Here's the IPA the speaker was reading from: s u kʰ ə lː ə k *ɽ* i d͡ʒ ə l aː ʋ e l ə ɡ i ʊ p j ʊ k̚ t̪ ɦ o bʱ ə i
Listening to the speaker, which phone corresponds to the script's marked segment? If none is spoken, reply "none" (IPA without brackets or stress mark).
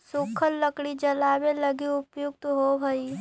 ɽ